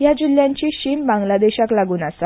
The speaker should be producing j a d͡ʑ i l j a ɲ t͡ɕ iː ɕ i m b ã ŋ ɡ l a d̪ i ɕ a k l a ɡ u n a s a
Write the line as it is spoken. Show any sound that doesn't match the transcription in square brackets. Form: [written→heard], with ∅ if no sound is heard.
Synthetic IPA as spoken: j a d͡ʑ i l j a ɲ t͡ɕ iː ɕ i m b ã ŋ ɡ l a d̪ [i→e] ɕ a k l a ɡ [u→uː] n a s a